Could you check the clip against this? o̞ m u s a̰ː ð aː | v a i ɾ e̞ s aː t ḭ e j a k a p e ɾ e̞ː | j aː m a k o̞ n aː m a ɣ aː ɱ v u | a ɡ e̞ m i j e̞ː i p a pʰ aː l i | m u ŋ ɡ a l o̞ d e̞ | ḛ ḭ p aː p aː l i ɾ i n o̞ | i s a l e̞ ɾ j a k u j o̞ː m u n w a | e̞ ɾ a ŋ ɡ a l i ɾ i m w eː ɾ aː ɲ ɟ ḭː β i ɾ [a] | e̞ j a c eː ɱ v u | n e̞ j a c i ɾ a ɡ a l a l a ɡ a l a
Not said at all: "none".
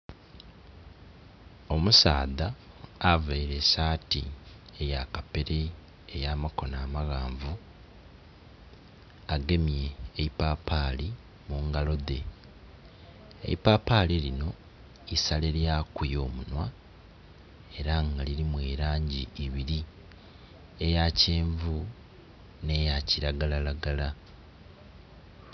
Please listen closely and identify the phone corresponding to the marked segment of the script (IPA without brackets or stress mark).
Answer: i